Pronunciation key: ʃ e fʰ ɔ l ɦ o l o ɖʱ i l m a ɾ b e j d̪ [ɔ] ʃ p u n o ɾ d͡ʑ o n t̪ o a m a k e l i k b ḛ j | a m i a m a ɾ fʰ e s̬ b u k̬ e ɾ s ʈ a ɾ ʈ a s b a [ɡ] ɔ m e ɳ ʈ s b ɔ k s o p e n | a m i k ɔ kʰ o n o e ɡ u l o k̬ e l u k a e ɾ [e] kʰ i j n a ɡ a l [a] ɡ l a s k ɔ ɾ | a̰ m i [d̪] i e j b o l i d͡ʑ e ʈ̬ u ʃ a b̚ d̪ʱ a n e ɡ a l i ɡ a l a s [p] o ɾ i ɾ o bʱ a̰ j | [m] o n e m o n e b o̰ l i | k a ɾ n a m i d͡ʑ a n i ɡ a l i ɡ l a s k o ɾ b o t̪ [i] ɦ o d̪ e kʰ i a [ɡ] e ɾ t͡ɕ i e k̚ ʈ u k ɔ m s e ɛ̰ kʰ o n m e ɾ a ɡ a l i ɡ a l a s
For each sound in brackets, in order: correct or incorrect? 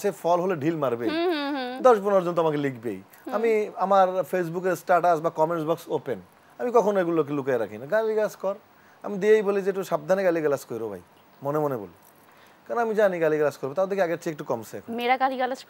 correct, incorrect, incorrect, incorrect, correct, incorrect, correct, incorrect, correct

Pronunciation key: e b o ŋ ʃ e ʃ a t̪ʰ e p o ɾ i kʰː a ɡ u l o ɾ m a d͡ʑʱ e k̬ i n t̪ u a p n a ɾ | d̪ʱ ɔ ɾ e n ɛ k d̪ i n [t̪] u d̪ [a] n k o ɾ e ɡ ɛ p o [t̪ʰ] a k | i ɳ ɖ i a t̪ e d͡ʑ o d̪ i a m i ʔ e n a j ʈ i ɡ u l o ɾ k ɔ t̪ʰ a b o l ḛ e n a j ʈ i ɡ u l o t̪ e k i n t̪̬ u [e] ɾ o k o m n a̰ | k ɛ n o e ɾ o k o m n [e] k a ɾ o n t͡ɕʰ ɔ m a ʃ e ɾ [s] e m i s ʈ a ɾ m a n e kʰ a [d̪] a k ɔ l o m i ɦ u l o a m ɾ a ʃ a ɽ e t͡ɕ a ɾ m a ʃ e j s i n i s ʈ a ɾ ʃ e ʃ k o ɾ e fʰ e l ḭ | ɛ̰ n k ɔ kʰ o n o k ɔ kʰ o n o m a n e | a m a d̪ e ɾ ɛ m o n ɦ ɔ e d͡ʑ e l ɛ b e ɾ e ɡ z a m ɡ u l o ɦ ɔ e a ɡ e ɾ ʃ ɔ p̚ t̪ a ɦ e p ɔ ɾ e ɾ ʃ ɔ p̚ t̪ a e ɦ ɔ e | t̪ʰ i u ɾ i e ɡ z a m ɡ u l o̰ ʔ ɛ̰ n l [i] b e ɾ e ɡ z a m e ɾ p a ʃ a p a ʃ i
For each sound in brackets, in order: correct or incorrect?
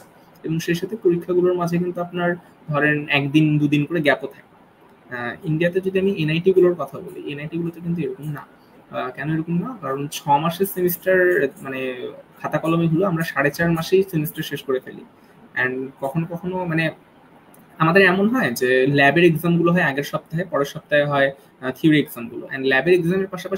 incorrect, incorrect, correct, correct, incorrect, correct, incorrect, incorrect

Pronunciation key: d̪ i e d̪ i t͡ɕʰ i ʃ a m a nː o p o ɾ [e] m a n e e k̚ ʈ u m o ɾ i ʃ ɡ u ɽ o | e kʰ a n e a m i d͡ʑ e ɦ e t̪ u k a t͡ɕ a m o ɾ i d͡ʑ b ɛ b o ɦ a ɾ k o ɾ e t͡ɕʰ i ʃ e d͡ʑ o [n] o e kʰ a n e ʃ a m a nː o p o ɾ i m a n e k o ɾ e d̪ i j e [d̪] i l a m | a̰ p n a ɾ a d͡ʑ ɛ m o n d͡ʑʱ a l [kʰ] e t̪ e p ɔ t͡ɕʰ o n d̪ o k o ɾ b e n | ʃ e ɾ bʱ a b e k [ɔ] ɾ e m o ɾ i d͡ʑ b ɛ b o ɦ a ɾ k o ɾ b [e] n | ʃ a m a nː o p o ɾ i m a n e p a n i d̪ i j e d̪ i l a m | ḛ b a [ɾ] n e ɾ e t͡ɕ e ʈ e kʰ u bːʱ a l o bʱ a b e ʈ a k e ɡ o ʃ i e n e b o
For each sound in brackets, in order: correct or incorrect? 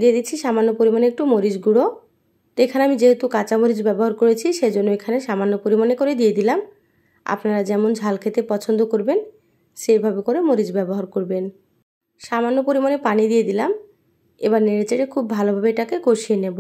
incorrect, incorrect, correct, correct, incorrect, correct, correct

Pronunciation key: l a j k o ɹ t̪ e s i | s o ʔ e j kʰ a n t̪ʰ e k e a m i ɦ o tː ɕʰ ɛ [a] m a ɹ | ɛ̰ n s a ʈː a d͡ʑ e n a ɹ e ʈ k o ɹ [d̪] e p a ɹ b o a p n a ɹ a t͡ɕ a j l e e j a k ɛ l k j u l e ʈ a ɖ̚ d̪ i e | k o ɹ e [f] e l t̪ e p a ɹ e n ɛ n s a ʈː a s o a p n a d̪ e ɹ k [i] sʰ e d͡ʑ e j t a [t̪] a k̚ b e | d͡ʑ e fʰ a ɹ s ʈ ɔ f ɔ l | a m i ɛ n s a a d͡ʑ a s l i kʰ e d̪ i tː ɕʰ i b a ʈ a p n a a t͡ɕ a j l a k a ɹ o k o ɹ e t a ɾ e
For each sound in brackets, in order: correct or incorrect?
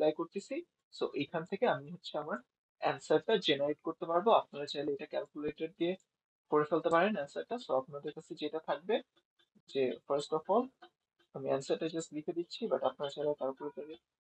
correct, incorrect, correct, incorrect, incorrect

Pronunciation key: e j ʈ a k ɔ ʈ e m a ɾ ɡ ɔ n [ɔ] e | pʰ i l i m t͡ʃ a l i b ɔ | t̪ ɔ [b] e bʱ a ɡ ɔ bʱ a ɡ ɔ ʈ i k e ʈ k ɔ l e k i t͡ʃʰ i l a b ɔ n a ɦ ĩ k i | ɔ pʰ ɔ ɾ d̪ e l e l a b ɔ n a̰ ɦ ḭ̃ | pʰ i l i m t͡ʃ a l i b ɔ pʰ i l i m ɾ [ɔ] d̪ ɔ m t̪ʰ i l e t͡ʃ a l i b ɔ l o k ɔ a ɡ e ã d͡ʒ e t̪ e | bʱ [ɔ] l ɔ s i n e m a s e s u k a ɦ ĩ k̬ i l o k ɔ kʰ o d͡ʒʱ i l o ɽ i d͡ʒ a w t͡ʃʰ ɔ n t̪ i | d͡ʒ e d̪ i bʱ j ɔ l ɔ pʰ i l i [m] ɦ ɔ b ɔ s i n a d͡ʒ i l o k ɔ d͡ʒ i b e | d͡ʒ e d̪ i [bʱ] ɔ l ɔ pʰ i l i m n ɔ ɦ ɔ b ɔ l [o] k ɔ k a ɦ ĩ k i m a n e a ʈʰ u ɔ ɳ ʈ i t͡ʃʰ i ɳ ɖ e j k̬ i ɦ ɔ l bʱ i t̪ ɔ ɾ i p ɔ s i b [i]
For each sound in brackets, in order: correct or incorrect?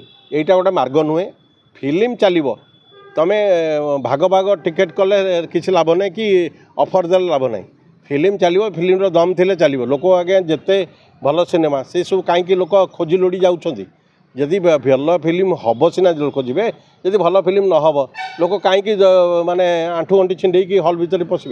incorrect, incorrect, correct, correct, correct, correct, correct, incorrect

